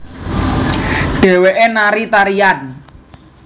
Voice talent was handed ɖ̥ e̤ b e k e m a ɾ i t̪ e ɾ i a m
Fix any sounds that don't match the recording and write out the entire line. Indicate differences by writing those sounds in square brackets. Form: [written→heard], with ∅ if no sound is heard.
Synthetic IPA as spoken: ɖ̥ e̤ [b→w] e [k→ʔ] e [m→n] a ɾ i t̪ [e→a] ɾ i a [m→n]